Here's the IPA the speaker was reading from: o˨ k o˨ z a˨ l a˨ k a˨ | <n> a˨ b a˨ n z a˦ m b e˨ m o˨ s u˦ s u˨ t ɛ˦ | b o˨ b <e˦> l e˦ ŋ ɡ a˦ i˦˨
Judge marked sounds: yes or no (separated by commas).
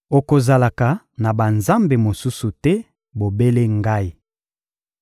yes, yes